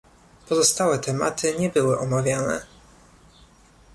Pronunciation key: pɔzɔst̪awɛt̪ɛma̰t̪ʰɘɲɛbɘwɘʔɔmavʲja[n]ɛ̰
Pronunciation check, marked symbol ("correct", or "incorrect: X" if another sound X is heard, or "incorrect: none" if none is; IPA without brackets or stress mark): correct